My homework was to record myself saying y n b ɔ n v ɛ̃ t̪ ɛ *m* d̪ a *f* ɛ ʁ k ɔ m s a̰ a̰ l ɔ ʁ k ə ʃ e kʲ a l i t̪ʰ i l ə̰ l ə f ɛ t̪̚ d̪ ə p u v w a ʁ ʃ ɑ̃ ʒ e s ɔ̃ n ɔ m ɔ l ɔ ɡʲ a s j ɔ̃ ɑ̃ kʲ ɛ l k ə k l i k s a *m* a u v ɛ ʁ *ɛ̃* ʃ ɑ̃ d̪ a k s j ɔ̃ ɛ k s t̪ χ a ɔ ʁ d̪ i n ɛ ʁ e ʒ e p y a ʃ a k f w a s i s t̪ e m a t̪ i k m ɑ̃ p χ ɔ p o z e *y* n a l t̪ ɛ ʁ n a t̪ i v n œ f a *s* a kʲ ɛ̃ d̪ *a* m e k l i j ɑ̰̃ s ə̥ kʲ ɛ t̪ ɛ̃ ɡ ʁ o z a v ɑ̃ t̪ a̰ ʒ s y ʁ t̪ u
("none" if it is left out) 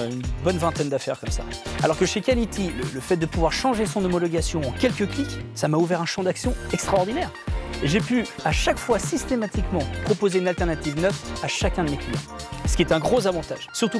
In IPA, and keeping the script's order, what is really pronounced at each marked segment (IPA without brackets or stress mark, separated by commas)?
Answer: n, f, m, ɛ̃, y, ʃ, ə